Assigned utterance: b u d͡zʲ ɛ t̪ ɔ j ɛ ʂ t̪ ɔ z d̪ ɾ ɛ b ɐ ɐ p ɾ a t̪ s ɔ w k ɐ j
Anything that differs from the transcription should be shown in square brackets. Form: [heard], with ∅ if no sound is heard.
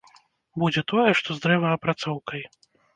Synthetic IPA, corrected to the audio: b u d͡zʲ ɛ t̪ ɔ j ɛ ʂ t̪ ɔ z d̪ ɾ ɛ [v] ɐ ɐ p ɾ a t̪ s ɔ w k ɐ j